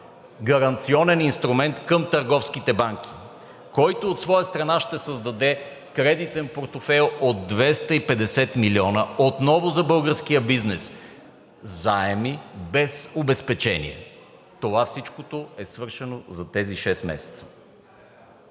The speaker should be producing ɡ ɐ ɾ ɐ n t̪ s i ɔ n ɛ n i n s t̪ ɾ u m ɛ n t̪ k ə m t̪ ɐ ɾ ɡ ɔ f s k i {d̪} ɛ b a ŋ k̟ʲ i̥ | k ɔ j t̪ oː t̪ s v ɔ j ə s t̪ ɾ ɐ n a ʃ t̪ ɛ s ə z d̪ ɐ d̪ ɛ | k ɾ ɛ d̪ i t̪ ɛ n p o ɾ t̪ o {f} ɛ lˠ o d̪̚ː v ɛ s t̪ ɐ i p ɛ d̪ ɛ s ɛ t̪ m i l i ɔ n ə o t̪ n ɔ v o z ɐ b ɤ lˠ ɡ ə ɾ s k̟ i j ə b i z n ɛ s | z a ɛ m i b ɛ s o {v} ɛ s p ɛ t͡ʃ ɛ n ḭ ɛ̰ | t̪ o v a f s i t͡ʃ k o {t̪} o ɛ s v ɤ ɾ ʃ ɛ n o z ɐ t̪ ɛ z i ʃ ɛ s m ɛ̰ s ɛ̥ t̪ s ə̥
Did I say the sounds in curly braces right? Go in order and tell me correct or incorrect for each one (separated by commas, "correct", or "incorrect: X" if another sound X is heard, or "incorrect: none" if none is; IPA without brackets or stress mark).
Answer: incorrect: t̪, correct, incorrect: b, correct